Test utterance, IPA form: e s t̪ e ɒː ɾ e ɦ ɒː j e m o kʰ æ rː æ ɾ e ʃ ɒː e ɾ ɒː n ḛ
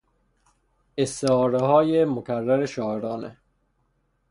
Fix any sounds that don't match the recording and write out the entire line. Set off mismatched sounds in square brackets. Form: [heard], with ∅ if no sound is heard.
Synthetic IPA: e s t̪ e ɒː ɾ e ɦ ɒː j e m o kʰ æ rː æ ɾ e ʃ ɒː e ɾ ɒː n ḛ